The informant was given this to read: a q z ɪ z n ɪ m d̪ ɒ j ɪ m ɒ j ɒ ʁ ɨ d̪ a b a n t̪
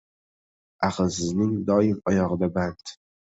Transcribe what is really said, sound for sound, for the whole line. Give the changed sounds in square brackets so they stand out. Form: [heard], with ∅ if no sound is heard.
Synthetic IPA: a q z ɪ z n ɪ [ŋ] d̪ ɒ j ɪ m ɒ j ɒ ʁ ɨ d̪ a b a n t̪